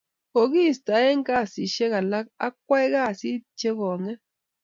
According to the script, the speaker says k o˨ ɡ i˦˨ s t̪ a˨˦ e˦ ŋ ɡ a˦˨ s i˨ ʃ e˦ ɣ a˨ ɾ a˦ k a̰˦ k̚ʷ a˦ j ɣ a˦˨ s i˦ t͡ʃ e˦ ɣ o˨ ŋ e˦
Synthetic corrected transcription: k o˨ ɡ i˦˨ s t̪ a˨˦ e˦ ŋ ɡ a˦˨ s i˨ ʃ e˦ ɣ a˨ l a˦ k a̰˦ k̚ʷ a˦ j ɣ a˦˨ s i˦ t͡ʃ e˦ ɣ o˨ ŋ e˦